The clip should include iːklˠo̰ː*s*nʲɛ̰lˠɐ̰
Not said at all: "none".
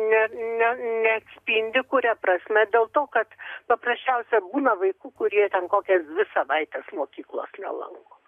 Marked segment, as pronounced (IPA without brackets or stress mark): s